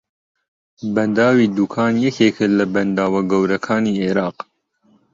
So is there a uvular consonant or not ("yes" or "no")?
yes